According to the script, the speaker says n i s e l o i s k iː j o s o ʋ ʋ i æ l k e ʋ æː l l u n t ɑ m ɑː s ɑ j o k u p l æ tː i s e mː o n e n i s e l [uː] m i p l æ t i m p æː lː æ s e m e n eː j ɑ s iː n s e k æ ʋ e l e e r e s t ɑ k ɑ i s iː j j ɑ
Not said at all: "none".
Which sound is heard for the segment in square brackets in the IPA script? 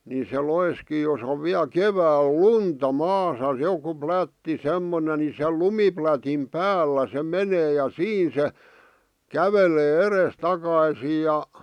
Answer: u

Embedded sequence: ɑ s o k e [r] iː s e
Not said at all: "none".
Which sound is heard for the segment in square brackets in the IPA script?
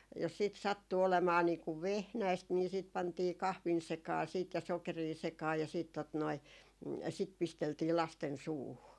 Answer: r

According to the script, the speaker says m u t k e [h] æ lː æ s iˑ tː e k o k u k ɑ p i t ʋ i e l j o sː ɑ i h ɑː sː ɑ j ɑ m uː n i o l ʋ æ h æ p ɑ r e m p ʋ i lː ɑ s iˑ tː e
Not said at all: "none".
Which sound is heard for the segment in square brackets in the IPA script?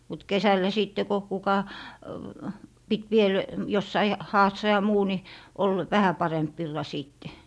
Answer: s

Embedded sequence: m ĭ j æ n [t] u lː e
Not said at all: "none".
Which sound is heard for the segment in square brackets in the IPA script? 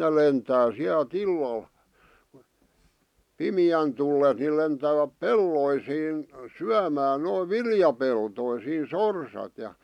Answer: t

